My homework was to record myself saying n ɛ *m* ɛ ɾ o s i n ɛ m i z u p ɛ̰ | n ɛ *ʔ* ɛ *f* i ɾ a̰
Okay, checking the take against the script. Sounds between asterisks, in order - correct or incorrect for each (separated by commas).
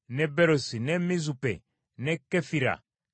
incorrect, incorrect, correct